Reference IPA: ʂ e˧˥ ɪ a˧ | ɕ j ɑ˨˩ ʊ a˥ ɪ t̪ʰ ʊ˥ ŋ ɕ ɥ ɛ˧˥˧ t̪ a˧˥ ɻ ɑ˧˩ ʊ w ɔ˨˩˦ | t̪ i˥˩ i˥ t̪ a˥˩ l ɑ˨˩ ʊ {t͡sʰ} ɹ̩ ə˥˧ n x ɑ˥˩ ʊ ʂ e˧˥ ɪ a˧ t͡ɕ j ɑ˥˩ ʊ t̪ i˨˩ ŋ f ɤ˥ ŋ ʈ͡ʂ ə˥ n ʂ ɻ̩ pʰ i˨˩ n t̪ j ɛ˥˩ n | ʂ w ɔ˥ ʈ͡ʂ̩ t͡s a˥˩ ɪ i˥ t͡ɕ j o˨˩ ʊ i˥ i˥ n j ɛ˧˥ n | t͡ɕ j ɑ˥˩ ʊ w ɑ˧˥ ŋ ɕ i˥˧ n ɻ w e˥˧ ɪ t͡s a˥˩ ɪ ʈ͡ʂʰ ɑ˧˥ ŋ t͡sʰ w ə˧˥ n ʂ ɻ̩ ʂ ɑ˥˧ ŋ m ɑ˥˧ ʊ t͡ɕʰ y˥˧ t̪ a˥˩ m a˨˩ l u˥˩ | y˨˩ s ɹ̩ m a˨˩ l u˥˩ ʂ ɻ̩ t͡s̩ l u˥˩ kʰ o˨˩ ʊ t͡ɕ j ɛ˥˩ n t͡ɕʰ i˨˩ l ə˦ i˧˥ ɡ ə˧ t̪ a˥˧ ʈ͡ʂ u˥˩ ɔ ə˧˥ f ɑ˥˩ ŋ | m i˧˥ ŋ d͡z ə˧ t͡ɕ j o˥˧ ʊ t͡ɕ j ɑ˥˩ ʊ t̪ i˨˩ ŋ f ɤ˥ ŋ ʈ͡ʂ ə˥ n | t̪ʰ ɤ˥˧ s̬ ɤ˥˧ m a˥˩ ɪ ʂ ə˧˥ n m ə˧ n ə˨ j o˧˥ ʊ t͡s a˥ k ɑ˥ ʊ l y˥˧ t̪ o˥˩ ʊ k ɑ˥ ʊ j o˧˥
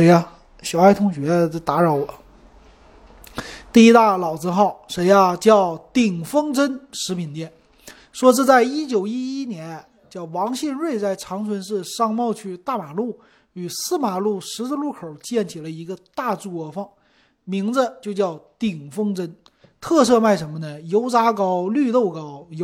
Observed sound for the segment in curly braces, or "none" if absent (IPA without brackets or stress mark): t͡s